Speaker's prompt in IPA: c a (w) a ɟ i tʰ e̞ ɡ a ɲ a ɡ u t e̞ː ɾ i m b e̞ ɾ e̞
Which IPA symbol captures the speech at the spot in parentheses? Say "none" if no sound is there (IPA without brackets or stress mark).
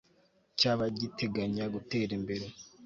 β